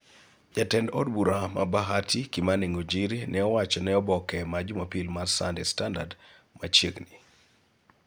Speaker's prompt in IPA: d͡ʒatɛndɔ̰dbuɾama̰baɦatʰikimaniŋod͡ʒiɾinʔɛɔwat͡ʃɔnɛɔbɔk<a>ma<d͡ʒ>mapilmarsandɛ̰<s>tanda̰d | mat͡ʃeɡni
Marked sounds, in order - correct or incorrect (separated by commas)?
incorrect, correct, correct